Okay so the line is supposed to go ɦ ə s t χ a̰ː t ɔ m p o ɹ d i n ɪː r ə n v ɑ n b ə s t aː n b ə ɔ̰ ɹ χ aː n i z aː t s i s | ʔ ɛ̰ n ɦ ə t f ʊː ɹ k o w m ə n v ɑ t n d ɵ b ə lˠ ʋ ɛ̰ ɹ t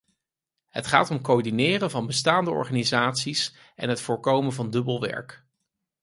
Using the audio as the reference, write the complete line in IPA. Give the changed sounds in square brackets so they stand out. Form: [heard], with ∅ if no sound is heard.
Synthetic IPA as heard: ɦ ə [∅] t χ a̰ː t ɔ m [k] o ɹ d i n ɪː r ə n v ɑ n b ə s t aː n [d] ə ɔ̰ ɹ χ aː n i z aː t s i s | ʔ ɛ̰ n ɦ ə t f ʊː ɹ k o w m ə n v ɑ [∅] n d ɵ b ə lˠ ʋ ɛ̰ ɹ [k]